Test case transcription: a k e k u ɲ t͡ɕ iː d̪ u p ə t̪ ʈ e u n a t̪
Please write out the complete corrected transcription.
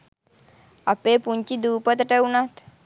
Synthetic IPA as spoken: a p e p u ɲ t͡ɕ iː d̪ u p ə t̪ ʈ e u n a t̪